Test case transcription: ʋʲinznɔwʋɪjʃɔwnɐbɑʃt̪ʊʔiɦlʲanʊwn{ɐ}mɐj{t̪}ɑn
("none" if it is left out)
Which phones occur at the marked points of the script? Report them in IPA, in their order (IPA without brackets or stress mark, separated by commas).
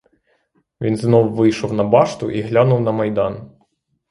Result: ɐ, d̪